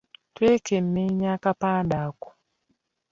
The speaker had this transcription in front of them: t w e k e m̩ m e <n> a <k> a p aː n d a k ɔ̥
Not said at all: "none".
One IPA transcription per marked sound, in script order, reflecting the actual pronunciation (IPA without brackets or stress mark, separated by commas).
ɲ, k